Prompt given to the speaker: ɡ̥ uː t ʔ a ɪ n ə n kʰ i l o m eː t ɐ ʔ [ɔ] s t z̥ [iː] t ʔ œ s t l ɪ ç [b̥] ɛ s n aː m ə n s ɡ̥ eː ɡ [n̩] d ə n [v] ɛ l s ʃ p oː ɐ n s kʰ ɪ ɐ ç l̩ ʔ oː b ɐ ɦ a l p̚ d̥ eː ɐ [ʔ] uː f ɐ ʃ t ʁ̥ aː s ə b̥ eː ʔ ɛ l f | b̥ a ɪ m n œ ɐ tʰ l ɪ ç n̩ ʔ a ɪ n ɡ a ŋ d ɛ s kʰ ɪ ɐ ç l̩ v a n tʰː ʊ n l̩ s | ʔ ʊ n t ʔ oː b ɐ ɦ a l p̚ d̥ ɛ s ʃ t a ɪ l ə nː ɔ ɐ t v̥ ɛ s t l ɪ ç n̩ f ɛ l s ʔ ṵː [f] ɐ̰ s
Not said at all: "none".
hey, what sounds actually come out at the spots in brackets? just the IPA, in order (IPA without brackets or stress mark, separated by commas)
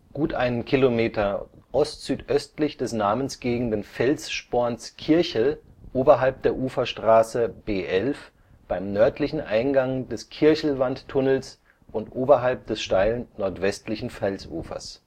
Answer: ɔ, yː, d̥, ŋ̩, f, ʔ, f